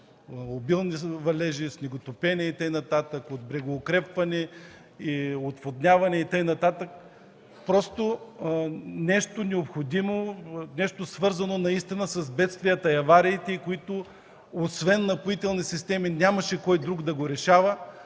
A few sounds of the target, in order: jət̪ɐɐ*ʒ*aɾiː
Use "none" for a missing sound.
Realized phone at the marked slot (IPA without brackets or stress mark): v